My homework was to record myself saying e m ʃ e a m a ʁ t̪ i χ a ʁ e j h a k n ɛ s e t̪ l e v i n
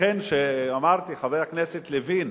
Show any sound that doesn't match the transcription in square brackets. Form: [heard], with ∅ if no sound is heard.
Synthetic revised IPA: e [n] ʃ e a m a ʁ t̪ i χ a [v] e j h a k n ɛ s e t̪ l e v i n

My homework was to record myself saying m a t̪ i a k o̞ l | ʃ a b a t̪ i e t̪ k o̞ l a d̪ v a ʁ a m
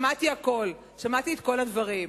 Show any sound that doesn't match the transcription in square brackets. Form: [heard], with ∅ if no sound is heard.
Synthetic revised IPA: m a t̪ i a k o̞ l | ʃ a [m] a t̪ i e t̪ k o̞ l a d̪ v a ʁ [i] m

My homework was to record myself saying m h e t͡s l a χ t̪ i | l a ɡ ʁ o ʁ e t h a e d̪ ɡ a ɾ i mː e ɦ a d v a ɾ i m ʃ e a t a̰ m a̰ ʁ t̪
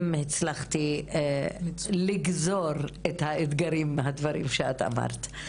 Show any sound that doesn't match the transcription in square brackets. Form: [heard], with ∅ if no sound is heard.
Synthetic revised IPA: m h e t͡s l a χ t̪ i | l [i] ɡ [z] o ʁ e t h a e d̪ ɡ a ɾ i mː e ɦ a d v a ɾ i m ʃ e a t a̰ m a̰ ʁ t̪

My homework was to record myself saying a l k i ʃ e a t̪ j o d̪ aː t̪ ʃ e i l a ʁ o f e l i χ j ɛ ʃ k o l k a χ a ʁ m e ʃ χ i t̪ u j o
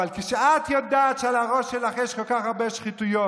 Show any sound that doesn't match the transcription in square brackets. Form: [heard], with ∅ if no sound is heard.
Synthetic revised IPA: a l k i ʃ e a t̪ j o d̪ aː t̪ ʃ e [a] l a ʁ o [ʃ] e l [a] χ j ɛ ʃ k o l k a χ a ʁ [b] e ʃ χ i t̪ u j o

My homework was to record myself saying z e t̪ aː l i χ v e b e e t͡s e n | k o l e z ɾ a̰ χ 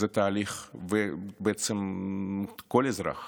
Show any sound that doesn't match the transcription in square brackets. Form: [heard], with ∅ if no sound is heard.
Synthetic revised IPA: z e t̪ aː l i χ v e b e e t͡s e [m] | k o l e z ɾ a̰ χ

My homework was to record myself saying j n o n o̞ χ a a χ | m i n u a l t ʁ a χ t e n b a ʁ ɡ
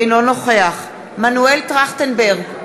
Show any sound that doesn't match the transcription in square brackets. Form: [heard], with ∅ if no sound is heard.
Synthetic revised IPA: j n o n o̞ χ [e] a χ | m [a] n u [e] l t ʁ a χ t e n b [e] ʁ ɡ

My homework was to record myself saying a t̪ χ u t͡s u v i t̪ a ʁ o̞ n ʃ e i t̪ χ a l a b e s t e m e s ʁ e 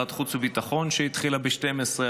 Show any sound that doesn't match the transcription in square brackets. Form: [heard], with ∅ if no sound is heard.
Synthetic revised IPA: a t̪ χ u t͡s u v i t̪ a [χ] o̞ n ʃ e i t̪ χ [i] l a b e [ʃ] t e m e s ʁ e

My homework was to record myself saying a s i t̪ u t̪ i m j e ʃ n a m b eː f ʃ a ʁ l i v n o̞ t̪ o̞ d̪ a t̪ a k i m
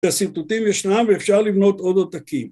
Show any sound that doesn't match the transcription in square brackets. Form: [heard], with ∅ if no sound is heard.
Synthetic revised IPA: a s i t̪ u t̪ i m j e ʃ n a m [v] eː f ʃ a ʁ l i v n o̞ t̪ o̞ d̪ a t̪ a k i m

